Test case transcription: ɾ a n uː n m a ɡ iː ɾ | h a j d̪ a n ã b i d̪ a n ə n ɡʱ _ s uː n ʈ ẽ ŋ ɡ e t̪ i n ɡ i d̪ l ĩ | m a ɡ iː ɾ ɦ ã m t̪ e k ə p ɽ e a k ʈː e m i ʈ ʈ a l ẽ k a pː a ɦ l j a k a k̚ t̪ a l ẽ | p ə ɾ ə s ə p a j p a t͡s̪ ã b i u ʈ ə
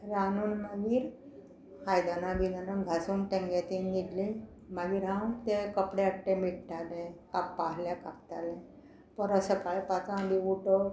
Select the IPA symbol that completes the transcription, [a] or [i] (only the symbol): a